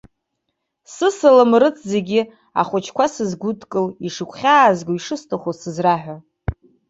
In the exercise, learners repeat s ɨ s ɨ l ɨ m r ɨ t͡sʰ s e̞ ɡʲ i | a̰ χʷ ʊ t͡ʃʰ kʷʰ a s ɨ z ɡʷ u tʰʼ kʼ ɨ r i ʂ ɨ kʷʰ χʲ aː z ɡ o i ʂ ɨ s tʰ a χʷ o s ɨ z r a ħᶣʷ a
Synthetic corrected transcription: s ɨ s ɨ l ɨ m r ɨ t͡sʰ z e̞ ɡʲ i | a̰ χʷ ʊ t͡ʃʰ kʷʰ a s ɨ z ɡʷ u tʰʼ kʼ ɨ l i ʂ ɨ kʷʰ χʲ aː z ɡ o i ʂ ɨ s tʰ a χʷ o s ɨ z r a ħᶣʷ a